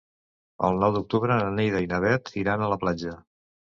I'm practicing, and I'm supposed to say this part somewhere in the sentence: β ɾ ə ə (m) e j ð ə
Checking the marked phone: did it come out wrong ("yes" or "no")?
yes